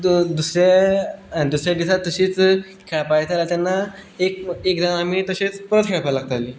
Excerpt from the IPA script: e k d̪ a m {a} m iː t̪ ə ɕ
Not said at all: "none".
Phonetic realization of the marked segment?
a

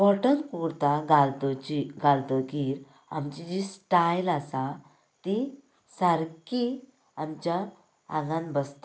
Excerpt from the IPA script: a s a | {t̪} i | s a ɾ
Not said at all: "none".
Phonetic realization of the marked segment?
t̪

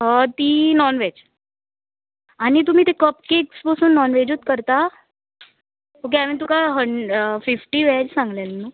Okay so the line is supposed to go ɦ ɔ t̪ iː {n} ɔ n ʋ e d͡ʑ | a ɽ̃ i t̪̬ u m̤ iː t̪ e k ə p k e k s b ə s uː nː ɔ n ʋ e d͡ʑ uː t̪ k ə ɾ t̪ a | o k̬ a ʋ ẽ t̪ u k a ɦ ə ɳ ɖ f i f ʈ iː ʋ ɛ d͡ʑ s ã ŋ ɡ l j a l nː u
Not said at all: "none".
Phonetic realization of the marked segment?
n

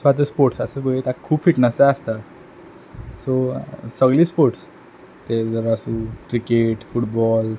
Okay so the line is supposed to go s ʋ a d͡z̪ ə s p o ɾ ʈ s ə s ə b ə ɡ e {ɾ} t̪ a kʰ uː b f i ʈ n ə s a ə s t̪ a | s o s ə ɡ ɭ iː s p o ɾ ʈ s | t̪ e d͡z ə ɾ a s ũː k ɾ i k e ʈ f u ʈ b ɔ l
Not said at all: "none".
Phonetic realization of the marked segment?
none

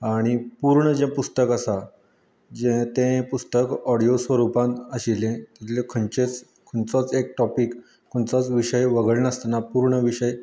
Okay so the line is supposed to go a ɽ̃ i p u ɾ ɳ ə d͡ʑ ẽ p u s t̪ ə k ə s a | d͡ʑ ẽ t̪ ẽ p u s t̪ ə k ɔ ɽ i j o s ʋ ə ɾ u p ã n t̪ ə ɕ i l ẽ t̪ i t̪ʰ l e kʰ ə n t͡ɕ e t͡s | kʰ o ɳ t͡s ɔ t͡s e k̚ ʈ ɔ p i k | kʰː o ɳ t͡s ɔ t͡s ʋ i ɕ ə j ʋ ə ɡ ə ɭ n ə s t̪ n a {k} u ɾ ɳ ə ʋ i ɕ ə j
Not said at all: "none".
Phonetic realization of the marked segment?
p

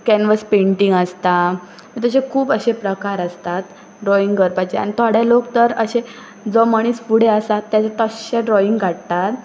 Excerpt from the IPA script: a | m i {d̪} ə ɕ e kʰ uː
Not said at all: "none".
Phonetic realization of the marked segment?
t̪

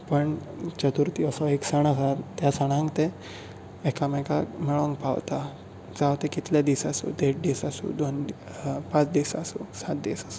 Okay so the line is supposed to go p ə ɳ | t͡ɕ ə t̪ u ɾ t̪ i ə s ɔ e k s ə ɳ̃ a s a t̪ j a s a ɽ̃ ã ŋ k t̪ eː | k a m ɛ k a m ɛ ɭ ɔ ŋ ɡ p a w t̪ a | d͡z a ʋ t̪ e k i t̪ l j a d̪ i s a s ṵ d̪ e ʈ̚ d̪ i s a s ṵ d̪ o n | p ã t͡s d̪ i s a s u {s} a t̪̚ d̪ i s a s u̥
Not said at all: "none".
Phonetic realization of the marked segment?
s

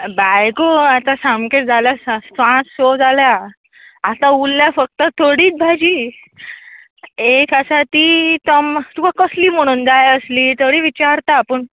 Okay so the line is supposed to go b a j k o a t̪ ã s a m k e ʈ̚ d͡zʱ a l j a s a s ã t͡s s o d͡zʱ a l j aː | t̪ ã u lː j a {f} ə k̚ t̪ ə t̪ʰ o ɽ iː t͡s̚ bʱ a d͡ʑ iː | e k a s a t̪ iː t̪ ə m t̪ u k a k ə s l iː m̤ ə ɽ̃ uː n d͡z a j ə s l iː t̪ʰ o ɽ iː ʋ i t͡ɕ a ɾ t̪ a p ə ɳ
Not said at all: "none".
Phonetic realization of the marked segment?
f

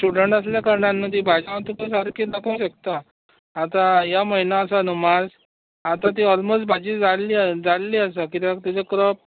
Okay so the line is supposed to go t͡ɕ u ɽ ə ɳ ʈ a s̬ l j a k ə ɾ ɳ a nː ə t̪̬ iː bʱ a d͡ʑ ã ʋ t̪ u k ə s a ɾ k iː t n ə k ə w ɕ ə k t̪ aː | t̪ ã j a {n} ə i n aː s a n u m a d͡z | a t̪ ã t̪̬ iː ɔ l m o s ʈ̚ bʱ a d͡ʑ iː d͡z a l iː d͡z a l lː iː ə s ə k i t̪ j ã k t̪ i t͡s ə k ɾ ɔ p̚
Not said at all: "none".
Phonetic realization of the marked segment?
m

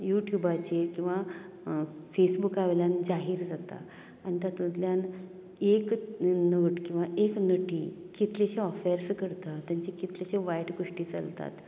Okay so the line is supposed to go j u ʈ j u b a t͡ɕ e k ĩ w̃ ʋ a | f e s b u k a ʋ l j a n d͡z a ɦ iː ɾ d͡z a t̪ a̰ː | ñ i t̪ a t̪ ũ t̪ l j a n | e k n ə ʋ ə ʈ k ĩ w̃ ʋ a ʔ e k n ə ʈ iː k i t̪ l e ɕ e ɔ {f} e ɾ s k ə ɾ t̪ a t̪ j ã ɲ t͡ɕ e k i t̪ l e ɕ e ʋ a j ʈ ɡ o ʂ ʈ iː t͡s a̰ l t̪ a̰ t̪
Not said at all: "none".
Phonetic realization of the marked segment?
f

